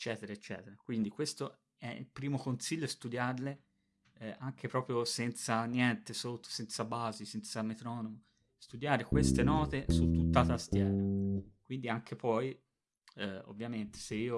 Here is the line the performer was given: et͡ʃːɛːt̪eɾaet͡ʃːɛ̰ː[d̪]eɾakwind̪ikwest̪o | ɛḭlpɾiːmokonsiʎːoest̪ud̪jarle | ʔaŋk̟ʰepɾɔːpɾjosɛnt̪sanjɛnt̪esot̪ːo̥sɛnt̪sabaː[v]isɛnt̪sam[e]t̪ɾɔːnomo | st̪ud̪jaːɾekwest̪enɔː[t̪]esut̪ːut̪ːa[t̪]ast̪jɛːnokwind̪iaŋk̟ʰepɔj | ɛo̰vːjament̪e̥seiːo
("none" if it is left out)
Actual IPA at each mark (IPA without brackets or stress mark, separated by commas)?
t̪, z, e, t̪, t̪